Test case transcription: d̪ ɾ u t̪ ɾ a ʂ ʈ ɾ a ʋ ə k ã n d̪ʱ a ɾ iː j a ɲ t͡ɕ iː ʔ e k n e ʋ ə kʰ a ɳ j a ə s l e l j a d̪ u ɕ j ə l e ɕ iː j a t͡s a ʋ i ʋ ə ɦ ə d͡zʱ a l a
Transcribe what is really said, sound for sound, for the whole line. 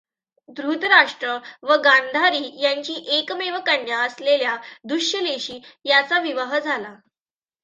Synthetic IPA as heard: d̪ ɾ u t̪ ɾ a ʂ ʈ ɾ ə ʋ ə ɡ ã n d̪ʱ a ɾ iː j a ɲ t͡ɕ iː ʔ e k m e ʋ ə k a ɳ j a ə s l e l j a d̪ u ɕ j ə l e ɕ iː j a t͡s a ʋ i ʋ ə ɦ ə d͡zʱ a l a